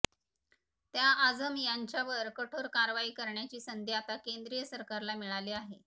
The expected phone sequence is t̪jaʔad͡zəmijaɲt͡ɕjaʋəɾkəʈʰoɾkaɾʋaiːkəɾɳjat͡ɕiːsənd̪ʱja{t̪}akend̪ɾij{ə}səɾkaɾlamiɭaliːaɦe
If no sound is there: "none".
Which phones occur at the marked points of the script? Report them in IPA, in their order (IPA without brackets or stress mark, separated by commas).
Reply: t̪, ə